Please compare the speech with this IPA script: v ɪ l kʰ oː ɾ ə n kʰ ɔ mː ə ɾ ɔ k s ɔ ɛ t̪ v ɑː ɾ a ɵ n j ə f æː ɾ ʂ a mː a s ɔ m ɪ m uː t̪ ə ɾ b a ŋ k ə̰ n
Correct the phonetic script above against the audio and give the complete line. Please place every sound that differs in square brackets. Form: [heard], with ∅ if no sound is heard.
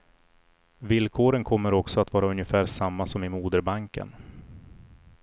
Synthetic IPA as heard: v ɪ l kʰ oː ɾ ə n kʰ ɔ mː ə ɾ ɔ k s ɔ [a] t̪ v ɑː ɾ a ɵ n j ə f æː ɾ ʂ a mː a s ɔ m ɪ m uː [d̪] ə ɾ b a ŋ k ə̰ n